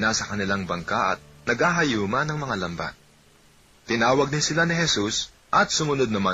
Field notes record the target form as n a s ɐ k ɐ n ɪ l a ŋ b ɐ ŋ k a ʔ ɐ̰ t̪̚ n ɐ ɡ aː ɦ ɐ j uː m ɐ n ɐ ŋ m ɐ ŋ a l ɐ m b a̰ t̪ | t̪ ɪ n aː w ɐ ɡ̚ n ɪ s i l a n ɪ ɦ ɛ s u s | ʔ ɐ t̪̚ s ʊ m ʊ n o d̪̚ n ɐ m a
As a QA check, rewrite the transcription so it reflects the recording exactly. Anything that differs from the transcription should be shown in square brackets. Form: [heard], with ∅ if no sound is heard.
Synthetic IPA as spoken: n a s ɐ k ɐ n ɪ l a ŋ b ɐ ŋ k a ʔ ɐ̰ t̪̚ n ɐ ɡ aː ɦ ɐ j uː m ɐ n ɐ ŋ m ɐ ŋ a l ɐ m b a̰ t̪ | t̪ ɪ n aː w ɐ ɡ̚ n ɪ s [ɪ] l a n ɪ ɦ ɛ s u s | ʔ ɐ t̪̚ s ʊ m ʊ n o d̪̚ n ɐ m a